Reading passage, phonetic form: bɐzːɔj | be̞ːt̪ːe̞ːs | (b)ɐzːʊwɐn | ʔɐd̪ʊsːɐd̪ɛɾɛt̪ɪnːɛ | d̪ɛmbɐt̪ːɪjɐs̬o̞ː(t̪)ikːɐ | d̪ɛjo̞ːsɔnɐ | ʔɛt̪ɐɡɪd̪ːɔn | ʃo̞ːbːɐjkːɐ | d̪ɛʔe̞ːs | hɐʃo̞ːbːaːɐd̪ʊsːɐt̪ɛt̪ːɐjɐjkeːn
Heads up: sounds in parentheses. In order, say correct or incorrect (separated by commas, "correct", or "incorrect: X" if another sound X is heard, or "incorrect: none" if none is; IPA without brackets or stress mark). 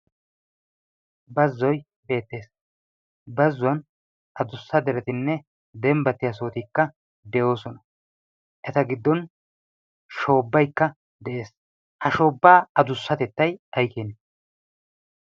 correct, correct